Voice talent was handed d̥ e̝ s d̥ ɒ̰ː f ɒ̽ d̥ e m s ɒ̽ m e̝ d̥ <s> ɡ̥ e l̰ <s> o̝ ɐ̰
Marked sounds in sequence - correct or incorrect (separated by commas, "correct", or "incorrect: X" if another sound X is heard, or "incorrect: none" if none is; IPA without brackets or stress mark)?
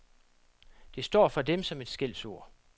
correct, correct